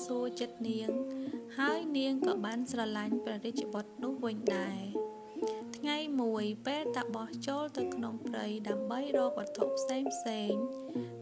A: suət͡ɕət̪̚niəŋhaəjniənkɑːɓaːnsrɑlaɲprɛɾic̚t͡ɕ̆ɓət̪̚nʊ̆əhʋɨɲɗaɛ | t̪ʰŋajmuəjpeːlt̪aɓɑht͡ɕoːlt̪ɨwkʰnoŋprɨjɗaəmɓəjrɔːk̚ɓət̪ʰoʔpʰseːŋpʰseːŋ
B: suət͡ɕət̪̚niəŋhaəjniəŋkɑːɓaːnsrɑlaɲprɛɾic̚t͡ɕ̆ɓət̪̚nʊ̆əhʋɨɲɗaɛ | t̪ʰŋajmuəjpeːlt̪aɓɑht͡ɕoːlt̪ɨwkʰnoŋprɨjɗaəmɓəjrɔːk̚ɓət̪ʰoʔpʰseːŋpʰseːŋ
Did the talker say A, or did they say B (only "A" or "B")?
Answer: B